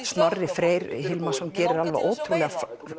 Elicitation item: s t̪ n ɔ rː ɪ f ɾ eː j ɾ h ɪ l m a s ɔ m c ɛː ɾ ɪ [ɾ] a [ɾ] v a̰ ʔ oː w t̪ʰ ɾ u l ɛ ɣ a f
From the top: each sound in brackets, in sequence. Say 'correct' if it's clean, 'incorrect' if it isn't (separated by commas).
correct, incorrect